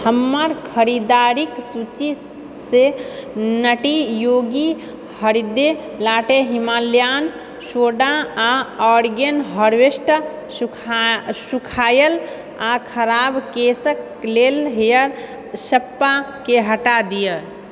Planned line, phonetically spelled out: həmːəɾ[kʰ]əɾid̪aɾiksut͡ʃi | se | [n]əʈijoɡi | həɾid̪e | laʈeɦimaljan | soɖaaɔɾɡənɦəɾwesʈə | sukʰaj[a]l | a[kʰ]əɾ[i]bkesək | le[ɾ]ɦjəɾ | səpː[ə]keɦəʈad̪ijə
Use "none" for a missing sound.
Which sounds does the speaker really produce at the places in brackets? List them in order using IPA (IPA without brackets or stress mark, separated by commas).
kʰ, n, ə, kʰ, a, l, a